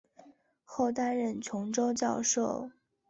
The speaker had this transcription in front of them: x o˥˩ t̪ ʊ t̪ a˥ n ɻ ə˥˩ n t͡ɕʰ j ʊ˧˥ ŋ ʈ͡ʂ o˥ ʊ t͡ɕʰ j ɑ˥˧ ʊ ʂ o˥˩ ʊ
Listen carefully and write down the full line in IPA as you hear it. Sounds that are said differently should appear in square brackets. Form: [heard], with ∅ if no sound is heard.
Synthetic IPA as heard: x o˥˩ [∅] ʊ t̪ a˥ n ɻ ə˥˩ n t͡ɕʰ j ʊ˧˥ ŋ ʈ͡ʂ o˥ ʊ [t͡ɕ] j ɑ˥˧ ʊ ʂ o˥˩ ʊ